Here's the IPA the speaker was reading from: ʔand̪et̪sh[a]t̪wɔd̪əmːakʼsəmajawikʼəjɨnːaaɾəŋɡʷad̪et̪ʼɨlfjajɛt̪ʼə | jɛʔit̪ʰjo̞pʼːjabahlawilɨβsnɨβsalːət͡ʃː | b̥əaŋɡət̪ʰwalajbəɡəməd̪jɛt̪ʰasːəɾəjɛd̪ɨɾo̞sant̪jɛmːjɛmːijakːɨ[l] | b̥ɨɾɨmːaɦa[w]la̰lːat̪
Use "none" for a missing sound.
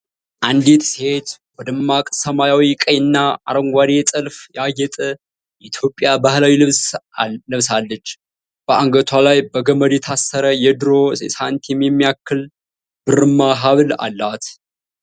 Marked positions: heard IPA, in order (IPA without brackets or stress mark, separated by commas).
e, l, β